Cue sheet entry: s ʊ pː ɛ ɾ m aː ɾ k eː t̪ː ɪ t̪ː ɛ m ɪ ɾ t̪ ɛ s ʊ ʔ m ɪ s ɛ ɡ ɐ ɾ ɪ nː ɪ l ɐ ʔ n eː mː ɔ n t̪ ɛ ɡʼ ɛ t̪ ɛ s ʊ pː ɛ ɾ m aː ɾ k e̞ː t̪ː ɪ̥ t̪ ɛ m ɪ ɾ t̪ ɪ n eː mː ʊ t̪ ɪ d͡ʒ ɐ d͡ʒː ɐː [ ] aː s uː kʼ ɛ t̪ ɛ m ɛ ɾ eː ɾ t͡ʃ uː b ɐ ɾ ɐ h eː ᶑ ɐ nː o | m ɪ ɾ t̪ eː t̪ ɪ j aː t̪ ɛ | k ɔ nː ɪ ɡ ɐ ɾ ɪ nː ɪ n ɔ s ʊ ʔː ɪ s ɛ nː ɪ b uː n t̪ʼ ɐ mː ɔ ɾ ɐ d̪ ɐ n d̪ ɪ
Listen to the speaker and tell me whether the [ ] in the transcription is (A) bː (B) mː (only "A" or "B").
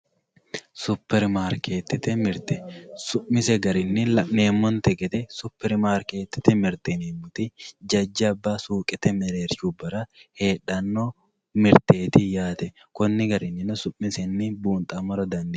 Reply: A